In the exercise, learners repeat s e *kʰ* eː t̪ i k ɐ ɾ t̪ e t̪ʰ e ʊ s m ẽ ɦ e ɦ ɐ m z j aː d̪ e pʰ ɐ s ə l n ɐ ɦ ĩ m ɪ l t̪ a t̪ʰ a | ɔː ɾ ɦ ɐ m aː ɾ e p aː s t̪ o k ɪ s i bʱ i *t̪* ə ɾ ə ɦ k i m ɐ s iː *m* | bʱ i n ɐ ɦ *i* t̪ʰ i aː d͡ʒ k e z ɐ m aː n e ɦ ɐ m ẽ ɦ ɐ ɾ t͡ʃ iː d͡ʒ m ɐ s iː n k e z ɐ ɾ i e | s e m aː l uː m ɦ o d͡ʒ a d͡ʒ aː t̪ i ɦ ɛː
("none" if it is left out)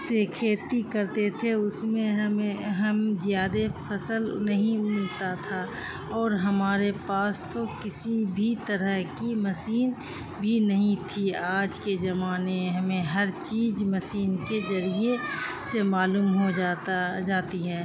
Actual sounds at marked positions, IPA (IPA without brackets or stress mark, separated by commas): kʰ, t̪, n, ĩ